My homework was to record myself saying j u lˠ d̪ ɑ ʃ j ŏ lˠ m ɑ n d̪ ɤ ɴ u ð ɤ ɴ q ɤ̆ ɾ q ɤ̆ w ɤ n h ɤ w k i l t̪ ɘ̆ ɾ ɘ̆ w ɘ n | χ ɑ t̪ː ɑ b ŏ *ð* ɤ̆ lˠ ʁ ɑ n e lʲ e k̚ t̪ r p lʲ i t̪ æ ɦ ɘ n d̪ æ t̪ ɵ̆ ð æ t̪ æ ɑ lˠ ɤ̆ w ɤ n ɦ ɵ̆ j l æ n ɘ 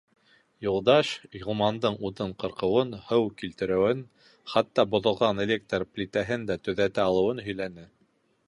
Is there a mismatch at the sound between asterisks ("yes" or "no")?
no